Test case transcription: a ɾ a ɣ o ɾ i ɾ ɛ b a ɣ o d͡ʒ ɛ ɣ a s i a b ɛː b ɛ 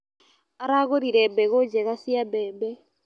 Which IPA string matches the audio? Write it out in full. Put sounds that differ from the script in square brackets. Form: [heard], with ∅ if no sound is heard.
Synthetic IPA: a ɾ a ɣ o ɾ i ɾ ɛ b [ɛ] ɣ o d͡ʒ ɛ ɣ a s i a b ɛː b ɛ